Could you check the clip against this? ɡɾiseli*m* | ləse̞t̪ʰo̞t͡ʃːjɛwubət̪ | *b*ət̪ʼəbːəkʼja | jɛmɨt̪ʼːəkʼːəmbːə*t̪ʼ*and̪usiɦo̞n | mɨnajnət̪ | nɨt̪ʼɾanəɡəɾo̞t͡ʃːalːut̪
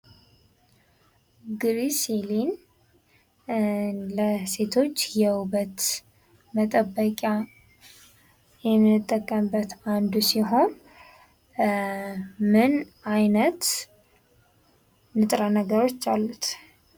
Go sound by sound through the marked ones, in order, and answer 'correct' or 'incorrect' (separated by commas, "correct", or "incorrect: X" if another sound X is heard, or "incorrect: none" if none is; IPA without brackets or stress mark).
incorrect: n, incorrect: m, incorrect: t̪